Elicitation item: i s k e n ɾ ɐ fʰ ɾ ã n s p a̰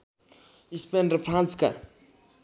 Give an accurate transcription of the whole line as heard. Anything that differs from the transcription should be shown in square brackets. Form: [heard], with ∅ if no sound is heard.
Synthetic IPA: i s [p] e n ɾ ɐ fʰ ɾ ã n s [k] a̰